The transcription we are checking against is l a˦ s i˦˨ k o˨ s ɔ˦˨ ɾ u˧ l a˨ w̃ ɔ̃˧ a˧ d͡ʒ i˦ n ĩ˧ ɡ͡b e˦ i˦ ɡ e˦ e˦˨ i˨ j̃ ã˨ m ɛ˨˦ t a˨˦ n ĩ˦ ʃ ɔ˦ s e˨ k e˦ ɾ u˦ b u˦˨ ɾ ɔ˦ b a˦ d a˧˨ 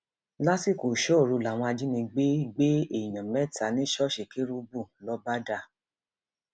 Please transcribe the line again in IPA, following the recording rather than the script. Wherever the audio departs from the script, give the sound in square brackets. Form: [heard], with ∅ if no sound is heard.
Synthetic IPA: l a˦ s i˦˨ k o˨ [ʃ] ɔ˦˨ ɾ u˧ l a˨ w̃ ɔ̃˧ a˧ d͡ʒ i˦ n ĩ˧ ɡ͡b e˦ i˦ [ɡ͡b] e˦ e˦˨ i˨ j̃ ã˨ m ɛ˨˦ t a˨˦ n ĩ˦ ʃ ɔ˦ [ʃ] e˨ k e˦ ɾ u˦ b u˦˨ [l] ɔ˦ b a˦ d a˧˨